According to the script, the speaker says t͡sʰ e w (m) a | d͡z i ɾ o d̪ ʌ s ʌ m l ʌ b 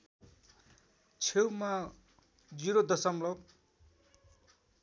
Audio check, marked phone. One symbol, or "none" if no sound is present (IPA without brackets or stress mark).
m